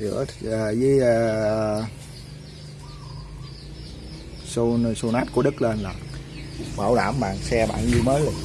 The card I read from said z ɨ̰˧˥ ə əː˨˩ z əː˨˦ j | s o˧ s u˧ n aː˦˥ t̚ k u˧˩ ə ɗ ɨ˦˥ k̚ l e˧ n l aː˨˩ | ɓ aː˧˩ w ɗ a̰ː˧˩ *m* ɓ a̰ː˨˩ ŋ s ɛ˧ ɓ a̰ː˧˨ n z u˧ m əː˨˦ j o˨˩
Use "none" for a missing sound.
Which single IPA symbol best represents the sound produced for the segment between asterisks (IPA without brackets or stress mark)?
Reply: m